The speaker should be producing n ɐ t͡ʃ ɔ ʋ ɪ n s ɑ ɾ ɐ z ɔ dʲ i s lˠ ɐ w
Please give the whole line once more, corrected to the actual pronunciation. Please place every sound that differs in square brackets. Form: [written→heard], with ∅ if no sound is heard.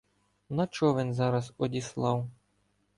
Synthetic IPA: n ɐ t͡ʃ ɔ ʋ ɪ n [s→z] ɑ ɾ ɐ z ɔ dʲ i s lˠ [ɐ→ɑ] w